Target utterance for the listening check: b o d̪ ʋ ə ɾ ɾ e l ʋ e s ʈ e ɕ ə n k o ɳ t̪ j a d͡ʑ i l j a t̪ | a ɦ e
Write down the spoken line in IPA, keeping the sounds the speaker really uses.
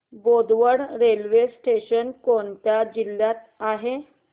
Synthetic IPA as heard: b o d̪ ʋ ə ɽ ɾ e l ʋ e s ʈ e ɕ ə n k o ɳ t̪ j a d͡ʑ i l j a t̪ | a ɦ e